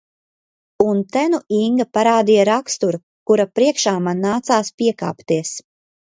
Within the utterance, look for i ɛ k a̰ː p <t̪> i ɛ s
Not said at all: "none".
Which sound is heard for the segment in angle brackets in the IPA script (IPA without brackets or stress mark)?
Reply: t̪